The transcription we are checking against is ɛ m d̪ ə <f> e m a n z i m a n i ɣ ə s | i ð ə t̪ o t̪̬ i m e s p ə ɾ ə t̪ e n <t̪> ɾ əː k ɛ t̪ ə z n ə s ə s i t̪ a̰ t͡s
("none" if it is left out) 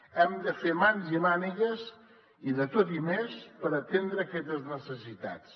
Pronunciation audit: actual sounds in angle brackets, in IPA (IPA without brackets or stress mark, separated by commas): f, d̪